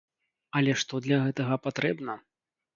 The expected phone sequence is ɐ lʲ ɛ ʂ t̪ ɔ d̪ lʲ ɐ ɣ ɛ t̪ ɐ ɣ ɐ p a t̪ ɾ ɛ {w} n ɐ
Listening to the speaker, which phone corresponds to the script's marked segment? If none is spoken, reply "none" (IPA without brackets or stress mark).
b